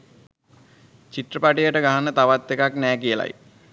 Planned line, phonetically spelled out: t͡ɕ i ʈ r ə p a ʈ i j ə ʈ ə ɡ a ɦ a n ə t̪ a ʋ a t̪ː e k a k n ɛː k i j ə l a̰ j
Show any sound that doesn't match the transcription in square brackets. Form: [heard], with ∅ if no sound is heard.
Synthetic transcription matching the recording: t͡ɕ i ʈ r ə p a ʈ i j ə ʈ ə ɡ a ɦ a n ə t̪ a ʋ a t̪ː e k a k n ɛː k i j ə l a̰ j